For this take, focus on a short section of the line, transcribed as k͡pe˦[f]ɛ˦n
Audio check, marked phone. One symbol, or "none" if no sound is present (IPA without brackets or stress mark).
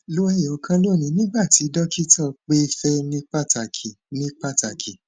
f